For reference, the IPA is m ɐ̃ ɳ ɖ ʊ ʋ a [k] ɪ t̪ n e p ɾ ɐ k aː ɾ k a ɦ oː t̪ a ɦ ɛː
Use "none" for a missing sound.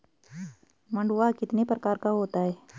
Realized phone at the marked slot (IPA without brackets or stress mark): k